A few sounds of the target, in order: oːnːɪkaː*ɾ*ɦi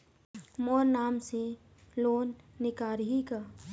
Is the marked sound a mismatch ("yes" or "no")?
no